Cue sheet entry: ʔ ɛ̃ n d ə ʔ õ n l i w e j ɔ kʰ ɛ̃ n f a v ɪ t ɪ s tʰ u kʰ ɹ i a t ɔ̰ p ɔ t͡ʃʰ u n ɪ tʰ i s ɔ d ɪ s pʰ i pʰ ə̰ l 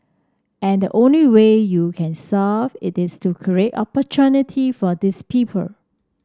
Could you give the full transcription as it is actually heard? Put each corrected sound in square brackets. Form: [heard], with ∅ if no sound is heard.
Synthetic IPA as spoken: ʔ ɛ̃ n d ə ʔ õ n l i w e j [u] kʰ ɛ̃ n [s] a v ɪ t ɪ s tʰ u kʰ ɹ i [e] t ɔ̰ p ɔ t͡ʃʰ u n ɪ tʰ i [f] ɔ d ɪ s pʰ i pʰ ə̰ l